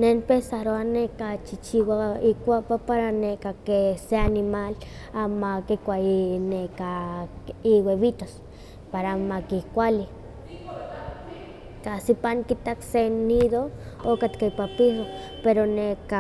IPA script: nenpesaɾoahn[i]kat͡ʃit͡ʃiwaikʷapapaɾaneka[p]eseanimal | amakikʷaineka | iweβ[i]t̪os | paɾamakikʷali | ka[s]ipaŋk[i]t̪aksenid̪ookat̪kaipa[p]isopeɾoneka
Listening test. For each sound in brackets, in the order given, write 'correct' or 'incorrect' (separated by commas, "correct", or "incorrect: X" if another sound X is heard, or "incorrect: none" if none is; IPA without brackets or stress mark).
incorrect: e, incorrect: k, correct, correct, correct, correct